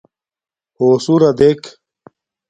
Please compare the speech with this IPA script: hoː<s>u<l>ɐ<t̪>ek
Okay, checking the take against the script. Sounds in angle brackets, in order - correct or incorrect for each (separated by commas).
correct, incorrect, incorrect